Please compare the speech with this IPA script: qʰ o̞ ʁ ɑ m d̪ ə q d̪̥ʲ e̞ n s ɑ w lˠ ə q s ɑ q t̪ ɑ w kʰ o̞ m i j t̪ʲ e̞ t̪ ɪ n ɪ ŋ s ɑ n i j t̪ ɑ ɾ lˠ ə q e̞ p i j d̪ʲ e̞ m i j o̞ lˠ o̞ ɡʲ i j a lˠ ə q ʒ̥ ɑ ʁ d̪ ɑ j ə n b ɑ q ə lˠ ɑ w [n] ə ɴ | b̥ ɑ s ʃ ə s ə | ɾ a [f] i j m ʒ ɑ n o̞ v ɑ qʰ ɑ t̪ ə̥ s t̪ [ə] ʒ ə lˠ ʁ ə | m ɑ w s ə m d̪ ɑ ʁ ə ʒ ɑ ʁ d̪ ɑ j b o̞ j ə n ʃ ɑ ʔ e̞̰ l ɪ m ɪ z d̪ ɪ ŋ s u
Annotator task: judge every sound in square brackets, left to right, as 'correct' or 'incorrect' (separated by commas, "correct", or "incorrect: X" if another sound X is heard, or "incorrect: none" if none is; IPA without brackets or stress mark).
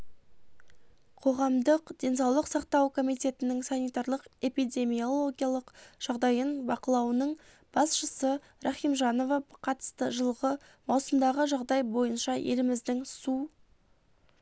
correct, incorrect: χ, correct